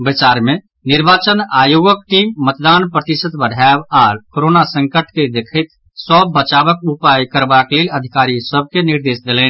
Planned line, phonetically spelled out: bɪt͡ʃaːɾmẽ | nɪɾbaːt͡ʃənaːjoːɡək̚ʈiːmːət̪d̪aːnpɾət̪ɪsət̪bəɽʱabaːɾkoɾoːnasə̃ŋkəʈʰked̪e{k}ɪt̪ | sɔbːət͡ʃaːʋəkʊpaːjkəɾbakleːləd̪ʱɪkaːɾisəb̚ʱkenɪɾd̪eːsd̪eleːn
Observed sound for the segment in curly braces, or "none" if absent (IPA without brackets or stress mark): kʰ